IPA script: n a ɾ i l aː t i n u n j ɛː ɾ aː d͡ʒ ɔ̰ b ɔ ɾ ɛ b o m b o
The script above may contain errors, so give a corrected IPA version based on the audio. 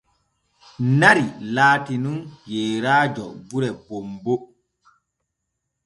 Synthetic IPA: n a ɾ i l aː t i n u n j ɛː ɾ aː d͡ʒ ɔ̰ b u ɾ ɛ b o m b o